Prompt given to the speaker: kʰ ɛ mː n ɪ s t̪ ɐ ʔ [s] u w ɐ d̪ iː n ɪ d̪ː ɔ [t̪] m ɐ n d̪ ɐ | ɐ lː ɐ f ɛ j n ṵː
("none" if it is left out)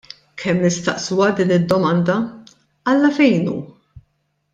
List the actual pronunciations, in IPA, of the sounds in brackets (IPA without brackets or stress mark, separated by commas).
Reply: s, none